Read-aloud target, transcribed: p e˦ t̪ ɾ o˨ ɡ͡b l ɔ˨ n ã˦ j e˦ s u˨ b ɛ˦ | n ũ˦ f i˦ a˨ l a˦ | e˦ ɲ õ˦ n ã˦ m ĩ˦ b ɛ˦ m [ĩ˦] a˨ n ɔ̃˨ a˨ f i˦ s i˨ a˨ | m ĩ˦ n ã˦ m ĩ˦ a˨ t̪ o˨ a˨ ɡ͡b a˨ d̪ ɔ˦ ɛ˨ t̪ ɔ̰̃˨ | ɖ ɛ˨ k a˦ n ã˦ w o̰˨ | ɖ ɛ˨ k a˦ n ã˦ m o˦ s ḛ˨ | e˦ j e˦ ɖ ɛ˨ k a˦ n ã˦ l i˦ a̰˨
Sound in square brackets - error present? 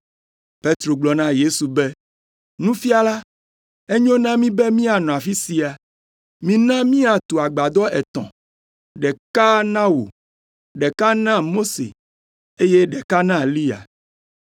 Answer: no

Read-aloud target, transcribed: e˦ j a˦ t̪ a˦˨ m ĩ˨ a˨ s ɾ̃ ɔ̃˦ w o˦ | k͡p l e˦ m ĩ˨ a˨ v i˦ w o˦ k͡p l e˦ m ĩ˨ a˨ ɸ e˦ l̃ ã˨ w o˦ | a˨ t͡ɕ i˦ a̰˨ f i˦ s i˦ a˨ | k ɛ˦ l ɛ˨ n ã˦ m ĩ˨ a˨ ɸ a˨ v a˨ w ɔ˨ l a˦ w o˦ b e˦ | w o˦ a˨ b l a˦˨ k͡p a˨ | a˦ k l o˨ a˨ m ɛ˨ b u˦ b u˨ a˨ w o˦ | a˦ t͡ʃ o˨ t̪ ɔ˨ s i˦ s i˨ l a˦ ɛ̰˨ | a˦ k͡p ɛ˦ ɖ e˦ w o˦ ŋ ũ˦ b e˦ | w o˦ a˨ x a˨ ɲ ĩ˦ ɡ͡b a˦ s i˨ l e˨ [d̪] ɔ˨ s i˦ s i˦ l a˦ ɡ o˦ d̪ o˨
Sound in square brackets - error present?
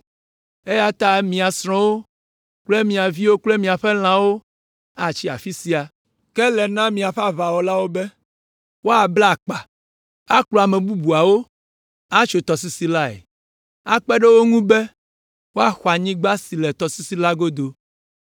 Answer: yes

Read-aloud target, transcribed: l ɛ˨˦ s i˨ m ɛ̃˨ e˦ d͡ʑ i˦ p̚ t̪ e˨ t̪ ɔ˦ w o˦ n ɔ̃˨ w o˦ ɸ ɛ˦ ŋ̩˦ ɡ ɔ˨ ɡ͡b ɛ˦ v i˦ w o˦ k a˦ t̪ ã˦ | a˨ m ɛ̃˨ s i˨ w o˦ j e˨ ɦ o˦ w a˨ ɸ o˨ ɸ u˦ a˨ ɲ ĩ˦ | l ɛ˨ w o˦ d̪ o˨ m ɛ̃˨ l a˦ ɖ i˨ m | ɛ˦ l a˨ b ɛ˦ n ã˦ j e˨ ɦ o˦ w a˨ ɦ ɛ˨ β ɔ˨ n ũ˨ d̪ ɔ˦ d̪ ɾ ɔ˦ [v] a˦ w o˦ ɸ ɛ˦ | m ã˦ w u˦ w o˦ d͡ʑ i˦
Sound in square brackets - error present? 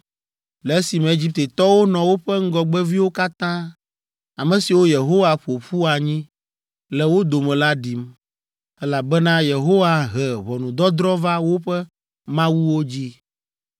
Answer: no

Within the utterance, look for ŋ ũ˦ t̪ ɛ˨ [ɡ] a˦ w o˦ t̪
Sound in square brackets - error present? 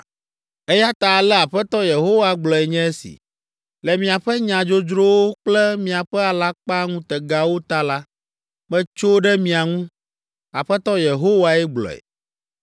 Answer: no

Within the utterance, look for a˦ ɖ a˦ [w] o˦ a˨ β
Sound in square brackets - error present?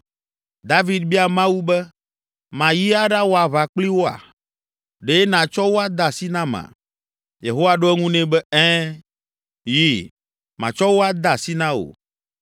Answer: no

